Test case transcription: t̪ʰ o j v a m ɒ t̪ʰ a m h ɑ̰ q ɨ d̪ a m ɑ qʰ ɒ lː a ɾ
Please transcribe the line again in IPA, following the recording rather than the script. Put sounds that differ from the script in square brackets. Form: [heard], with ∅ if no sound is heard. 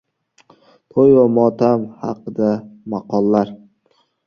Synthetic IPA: t̪ʰ o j v a m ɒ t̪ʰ a m h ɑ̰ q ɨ d̪ a m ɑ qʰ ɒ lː a ɾ